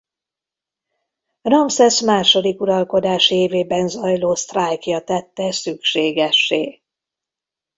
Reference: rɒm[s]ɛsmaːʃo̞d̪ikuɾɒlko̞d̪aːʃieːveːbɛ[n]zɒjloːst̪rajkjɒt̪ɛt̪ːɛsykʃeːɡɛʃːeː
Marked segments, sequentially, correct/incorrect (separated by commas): correct, correct